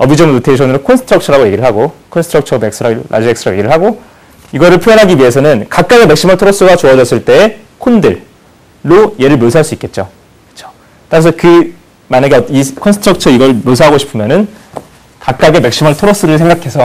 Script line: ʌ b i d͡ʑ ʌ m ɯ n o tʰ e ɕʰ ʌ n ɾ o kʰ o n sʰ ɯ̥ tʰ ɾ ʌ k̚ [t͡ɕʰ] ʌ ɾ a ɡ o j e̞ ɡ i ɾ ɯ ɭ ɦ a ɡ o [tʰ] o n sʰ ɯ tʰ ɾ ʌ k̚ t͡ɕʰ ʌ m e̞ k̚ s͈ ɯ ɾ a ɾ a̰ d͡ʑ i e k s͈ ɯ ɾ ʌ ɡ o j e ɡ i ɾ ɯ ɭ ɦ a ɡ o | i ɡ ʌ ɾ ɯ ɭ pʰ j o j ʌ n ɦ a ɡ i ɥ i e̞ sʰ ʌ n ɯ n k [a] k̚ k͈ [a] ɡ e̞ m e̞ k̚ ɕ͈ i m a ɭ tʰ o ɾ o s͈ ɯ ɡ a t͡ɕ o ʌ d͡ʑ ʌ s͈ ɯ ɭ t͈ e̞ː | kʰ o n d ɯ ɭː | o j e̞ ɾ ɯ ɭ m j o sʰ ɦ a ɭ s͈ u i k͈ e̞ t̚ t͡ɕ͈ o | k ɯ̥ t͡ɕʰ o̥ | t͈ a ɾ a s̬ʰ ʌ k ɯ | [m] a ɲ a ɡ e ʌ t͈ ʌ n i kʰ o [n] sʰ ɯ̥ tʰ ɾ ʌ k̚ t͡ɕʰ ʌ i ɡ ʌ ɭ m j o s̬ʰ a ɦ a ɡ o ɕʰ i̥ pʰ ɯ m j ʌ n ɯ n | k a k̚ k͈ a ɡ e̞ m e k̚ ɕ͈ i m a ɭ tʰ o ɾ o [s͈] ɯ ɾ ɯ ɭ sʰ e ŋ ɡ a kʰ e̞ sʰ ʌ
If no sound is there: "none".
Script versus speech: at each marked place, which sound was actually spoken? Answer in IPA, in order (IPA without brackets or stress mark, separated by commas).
t͡ɕʰ, kʰ, a, a, m, n, s͈